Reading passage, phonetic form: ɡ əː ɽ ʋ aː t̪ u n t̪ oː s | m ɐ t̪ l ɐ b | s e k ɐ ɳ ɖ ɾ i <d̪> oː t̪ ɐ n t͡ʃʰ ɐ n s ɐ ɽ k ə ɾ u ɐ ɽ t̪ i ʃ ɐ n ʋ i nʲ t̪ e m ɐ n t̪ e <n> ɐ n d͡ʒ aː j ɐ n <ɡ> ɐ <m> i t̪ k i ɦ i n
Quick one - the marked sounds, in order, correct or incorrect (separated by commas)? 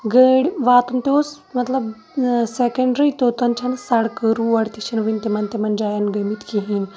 incorrect, incorrect, correct, correct